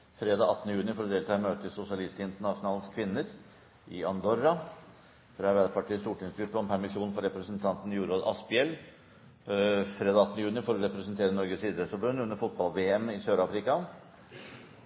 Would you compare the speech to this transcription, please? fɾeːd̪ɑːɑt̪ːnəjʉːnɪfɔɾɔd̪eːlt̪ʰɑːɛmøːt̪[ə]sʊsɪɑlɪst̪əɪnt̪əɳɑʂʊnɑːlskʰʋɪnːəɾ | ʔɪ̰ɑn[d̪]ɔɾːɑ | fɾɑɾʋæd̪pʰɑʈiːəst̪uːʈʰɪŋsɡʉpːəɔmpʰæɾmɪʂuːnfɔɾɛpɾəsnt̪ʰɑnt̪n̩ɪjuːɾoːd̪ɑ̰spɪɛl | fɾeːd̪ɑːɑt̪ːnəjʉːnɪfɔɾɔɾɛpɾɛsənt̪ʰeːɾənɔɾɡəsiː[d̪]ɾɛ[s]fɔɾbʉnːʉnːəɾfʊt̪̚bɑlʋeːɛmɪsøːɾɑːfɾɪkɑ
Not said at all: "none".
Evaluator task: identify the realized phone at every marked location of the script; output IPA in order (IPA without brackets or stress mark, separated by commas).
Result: ə, d̪, d̪, s